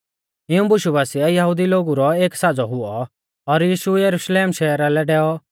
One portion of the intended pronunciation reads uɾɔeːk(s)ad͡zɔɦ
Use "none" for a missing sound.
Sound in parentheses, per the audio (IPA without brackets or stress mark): s